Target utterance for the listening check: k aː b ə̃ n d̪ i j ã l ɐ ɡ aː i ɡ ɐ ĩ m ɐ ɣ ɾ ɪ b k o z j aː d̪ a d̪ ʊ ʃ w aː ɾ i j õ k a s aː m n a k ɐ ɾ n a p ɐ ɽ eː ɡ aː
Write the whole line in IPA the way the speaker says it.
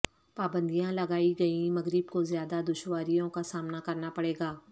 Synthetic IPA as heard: p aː b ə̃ n d̪ i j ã l ɐ ɡ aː i ɡ ɐ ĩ m ɐ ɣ ɾ ɪ b k o z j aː d̪ a d̪ ʊ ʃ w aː ɾ i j õ k a s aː m n a k ɐ ɾ n a p ɐ ɽ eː ɡ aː